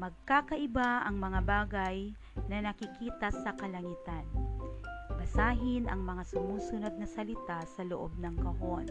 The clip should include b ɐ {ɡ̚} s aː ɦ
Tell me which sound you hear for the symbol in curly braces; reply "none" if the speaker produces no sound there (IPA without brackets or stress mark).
none